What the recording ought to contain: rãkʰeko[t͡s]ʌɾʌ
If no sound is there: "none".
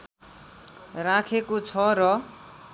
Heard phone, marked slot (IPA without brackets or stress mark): t͡sʰ